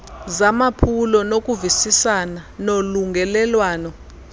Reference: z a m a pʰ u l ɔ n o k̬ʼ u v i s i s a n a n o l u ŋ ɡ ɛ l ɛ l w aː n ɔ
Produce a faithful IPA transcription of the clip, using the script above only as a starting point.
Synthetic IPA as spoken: z a m a pʰ u l ɔ n o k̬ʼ u v i s i s a n a n o l u ŋ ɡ ɛ l ɛ l w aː n ɔ